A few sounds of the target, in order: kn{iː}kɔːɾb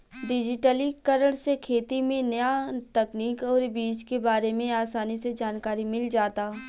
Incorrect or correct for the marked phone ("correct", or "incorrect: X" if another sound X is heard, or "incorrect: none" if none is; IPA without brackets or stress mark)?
correct